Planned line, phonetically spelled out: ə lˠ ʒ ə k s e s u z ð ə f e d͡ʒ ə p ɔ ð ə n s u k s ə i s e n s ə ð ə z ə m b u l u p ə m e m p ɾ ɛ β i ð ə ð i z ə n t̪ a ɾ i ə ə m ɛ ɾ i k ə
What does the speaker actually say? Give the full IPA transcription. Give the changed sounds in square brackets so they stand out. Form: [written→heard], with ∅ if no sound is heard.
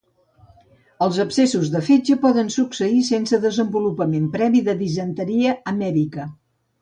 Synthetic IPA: ə lˠ [ʒ→z] ə [k→p] s e s u z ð ə f e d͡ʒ ə p ɔ ð ə n s u k s ə i s e n s ə ð ə z ə m b u l u p ə m e m p ɾ ɛ β i ð ə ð i z ə n t̪ [a→ə] ɾ i ə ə m ɛ ɾ i k ə